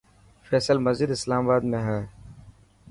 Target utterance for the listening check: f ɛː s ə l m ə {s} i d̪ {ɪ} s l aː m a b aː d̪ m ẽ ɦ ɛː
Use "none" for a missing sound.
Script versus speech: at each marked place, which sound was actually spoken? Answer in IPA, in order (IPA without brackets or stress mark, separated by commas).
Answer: z, ɪ